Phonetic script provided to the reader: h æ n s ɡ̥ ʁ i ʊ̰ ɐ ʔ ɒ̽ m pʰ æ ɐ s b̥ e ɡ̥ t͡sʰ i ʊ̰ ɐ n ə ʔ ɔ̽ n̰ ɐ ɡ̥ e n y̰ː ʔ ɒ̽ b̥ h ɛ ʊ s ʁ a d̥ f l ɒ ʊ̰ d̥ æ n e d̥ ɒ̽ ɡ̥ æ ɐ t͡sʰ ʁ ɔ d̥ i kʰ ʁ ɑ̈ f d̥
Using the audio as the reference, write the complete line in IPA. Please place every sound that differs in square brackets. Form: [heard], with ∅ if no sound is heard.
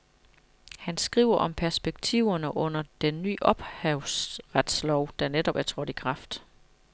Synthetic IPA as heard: h æ n s ɡ̥ ʁ i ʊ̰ ɐ ʔ ɒ̽ m pʰ æ ɐ s b̥ e ɡ̥ t͡sʰ i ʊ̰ ɐ n ə ʔ ɔ̽ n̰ ɐ [d̥] e [nː] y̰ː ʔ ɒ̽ b̥ h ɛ ʊ s ʁ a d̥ [s] l ɒ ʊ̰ d̥ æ n e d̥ ɒ̽ [b̥] æ ɐ t͡sʰ ʁ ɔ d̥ i kʰ ʁ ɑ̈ f d̥